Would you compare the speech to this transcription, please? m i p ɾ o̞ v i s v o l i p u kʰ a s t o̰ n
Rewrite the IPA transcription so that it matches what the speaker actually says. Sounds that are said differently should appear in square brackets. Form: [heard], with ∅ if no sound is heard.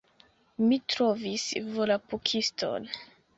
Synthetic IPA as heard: m i [t] ɾ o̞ v i s v o l [a] p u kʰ [i] s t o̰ n